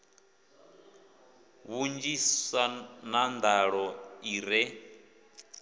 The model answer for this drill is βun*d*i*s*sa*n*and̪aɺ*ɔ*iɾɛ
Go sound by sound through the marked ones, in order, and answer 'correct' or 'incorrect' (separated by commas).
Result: incorrect, correct, correct, correct